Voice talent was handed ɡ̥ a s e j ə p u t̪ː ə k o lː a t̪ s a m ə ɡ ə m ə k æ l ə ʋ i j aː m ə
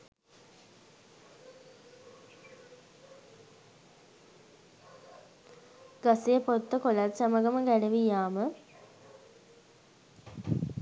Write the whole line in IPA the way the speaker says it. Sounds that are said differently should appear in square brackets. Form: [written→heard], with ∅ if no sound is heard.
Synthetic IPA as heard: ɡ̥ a s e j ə p [u→o] t̪ː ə k o [lː→l] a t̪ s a m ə ɡ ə m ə [k→ɡ] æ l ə ʋ i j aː m ə